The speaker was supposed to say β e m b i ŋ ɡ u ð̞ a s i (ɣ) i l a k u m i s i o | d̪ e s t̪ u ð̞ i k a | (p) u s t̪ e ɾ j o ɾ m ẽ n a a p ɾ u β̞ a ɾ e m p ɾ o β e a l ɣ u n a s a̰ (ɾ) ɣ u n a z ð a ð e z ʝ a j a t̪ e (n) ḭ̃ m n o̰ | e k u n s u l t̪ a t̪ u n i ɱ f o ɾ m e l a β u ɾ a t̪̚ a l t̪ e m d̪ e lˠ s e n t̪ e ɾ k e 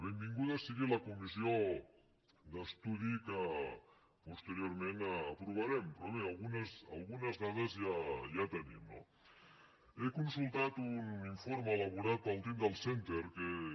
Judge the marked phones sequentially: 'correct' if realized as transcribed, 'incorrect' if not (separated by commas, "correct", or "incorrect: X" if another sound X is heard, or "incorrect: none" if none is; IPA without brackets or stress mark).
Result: correct, correct, incorrect: l, correct